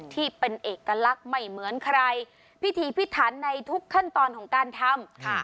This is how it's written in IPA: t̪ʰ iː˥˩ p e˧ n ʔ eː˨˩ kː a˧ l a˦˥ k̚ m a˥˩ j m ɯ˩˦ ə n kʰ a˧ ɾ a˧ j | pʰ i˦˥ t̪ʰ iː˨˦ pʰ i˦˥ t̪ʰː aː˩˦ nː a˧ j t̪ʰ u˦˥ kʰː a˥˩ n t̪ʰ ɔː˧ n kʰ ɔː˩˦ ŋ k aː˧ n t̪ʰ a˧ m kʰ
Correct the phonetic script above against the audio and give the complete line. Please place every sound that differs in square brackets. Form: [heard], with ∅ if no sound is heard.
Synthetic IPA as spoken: t̪ʰ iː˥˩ p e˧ n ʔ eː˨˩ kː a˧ l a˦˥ k̚ m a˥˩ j m ɯ˩˦ ə n kʰ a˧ ɾ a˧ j | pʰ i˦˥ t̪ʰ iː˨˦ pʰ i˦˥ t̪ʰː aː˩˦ nː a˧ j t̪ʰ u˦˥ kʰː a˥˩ n [t̪] ɔː˧ n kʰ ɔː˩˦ ŋ k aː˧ n t̪ʰ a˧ m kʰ